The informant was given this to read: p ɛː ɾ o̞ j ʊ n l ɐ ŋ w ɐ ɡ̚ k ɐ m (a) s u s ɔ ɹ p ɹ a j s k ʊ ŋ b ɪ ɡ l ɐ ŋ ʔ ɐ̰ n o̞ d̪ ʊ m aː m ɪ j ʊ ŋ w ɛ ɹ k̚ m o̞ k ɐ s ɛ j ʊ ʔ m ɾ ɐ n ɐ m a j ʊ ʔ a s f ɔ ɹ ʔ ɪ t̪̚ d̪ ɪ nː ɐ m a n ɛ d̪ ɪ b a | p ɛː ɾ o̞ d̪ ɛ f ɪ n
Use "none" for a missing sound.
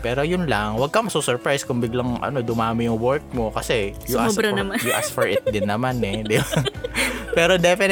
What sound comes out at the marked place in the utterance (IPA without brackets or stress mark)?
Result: ɐ